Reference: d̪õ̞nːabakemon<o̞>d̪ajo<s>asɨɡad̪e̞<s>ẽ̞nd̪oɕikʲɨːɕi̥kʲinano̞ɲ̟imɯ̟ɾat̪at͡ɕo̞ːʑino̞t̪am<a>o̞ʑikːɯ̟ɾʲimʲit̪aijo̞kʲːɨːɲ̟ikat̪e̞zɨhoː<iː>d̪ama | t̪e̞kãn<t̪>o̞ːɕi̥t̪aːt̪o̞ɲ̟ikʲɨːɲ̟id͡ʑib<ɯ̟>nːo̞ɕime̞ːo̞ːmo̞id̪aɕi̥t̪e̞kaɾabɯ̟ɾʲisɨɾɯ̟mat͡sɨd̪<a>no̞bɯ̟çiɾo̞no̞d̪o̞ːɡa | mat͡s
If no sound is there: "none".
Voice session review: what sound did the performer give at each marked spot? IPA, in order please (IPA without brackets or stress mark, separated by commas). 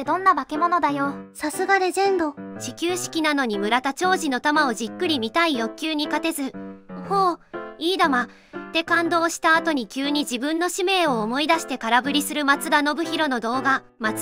o̞, s, z, a, iː, d̪, ɯ̟̃, a